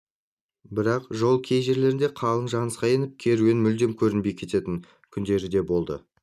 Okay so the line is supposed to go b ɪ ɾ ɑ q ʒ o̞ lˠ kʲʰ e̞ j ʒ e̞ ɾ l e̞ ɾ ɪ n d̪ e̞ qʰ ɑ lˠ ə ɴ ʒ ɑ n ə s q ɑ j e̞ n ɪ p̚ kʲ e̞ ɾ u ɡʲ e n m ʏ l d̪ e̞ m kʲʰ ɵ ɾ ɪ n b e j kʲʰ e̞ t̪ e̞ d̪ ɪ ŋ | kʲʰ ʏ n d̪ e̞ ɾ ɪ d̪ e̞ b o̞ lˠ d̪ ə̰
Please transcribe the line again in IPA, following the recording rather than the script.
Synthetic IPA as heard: b ɪ ɾ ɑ q ʒ o̞ lˠ kʲʰ e̞ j ʒ e̞ ɾ l e̞ ɾ ɪ n d̪ e̞ qʰ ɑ lˠ ə ɴ ʒ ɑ n ə s q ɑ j e̞ n ɪ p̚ kʲʰ e̞ ɾ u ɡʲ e n m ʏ l d̪ e̞ m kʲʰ ɵ ɾ ɪ n b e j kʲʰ e̞ t̪ e̞ t̪ ɪ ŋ | kʲʰ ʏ n d̪ e̞ ɾ ɪ d̪ e̞ b o̞ lˠ d̪ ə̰